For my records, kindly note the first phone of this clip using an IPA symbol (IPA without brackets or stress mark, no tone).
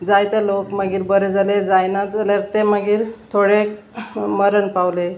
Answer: d͡z